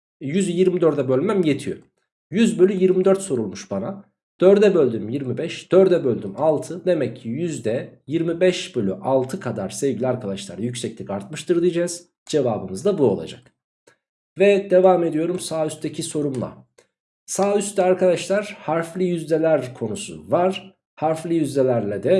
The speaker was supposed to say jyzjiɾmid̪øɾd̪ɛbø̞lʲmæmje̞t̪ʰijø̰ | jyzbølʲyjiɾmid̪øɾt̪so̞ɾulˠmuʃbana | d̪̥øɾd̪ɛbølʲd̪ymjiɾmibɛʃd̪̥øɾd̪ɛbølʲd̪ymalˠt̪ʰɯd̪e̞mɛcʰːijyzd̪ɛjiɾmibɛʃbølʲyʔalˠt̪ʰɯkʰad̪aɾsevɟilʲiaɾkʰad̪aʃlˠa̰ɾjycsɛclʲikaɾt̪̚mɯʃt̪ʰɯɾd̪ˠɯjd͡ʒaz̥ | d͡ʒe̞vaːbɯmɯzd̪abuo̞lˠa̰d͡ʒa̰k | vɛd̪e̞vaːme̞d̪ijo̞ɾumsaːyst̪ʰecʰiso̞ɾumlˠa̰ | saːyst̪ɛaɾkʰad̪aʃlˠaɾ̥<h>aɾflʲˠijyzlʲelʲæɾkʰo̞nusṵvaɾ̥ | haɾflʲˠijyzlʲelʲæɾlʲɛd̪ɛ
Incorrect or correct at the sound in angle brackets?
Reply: correct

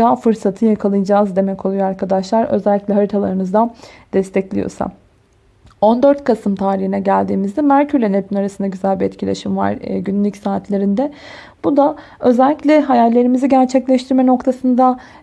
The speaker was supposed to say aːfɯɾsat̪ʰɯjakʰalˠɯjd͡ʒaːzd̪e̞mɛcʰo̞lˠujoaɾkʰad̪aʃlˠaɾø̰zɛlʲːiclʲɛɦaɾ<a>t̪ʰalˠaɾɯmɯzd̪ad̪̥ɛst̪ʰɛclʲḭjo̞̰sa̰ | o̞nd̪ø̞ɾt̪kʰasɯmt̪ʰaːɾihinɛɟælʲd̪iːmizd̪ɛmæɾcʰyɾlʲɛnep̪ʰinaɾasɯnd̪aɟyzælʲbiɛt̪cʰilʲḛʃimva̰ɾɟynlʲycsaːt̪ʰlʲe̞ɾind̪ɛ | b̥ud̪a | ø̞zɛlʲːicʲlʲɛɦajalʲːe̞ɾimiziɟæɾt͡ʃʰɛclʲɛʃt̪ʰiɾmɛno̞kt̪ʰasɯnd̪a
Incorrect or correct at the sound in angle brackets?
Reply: incorrect: i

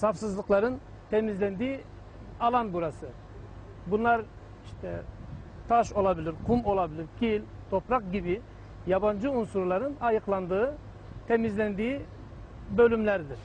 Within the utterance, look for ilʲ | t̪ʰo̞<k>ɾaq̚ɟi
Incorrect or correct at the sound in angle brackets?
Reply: incorrect: p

